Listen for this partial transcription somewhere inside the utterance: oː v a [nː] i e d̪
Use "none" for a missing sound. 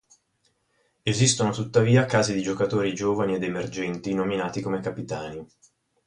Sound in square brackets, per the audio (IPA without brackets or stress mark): n